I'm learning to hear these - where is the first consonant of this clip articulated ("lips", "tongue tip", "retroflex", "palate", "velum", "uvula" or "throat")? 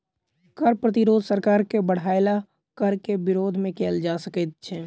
velum